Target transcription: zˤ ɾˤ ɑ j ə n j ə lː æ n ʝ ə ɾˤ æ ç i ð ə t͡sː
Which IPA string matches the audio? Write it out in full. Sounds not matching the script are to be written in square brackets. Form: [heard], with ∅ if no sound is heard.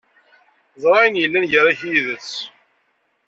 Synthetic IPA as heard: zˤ ɾˤ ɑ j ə n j ə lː æ n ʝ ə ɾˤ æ ç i ð ə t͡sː

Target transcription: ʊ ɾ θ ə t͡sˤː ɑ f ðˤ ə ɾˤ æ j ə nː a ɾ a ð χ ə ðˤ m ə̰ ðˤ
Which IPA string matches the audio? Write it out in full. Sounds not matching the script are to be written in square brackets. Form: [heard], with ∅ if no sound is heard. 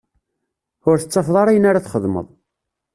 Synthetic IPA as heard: ʊ ɾ θ ə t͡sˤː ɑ f ðˤ [ɑ] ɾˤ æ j ə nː a ɾ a [θ] χ ə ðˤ m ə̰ ðˤ

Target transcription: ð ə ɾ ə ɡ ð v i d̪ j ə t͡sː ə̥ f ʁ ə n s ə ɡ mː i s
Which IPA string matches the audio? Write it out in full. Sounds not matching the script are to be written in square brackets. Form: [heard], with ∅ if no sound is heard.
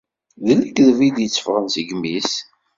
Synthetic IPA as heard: ð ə [l] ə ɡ ð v i d̪ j ə t͡sː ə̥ f ʁ ə n s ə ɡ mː i s

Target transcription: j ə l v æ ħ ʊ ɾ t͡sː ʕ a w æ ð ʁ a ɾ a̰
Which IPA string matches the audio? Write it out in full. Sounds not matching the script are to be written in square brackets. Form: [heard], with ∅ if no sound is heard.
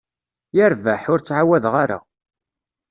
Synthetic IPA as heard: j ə [ɾ] v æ ħ ʊ ɾ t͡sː ʕ a w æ ð ʁ a ɾ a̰

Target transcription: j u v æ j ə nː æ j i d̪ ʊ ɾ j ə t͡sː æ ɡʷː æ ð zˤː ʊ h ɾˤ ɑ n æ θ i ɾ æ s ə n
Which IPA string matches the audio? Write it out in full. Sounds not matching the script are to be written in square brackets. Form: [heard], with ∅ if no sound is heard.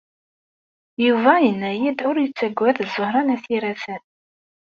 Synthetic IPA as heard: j u v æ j ə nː æ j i d̪ ʊ ɾ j ə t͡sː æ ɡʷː æ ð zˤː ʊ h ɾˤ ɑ n æ θ i ɾ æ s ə n

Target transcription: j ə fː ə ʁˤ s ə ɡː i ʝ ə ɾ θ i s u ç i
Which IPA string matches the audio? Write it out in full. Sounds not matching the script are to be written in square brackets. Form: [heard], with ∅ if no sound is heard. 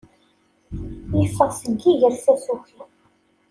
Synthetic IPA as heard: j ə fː ə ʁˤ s ə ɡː i ʝ ə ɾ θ [æ] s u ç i

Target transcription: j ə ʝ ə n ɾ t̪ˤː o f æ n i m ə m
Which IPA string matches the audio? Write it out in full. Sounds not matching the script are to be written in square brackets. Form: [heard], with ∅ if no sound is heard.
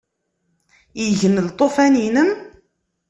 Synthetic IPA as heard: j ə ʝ ə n [l] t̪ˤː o f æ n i [n] ə m

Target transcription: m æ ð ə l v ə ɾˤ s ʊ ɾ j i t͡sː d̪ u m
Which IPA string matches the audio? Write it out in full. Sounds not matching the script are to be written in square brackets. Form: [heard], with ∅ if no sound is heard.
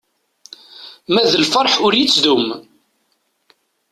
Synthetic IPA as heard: m æ ð ə l [f] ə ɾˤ [ħ] ʊ ɾ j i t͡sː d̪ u m

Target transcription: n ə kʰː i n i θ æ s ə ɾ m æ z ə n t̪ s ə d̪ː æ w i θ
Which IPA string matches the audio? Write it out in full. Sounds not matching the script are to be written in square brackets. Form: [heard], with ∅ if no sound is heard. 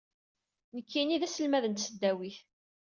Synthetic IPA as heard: n ə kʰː i n i [ð] æ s ə [l] m æ [ð] ə n t̪ s ə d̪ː æ w i θ

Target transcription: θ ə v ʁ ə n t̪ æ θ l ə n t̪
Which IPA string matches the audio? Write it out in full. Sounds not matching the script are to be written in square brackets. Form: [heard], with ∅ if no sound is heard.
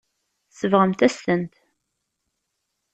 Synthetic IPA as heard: [s] ə v ʁ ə [m] t̪ æ [s] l ə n t̪

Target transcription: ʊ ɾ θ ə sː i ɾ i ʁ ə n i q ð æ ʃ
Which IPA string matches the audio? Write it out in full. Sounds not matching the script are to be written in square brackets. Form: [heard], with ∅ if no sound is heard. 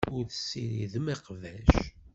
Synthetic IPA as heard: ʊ ɾ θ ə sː i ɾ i [ð] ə [m] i q [v] æ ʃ

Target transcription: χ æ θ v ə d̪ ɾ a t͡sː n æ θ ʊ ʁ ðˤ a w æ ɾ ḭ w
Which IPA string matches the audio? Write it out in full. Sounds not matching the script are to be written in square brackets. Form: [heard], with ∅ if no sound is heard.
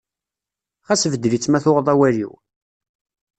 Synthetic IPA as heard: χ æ [s] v ə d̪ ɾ [i] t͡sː [m] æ θ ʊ ʁ ðˤ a w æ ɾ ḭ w

